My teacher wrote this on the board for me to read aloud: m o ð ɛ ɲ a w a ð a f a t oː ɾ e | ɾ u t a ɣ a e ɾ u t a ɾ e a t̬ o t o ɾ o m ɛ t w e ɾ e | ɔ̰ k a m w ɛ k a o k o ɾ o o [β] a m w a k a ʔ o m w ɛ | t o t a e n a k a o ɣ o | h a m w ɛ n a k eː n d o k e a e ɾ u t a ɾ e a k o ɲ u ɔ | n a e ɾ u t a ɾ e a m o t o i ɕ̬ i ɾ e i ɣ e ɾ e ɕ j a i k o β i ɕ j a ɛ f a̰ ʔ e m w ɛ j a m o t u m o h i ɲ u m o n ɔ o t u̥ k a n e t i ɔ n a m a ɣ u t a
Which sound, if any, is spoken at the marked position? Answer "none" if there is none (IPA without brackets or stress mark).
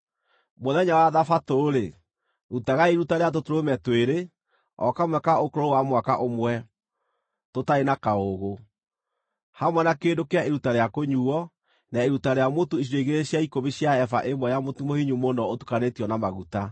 w